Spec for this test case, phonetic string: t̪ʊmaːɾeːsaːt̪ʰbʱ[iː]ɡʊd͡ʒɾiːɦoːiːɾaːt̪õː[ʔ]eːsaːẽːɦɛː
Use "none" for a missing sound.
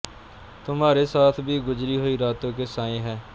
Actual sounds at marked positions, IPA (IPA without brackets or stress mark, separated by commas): iː, k